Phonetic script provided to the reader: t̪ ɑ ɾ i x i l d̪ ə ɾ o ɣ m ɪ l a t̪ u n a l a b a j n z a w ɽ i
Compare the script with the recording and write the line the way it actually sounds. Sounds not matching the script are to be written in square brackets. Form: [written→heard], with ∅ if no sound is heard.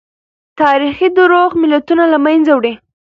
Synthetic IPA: t̪ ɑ ɾ i x i [l→∅] d̪ ə ɾ o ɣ m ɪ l a t̪ u n a l a [b→m] a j n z a w ɽ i